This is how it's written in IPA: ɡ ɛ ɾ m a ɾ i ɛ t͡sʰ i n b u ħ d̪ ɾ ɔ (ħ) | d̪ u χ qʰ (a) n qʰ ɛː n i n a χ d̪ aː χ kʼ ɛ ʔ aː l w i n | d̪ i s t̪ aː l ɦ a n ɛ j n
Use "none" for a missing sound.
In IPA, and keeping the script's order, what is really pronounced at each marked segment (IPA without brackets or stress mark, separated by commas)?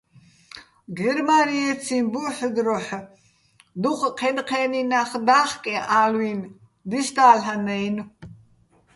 ħ, ɛ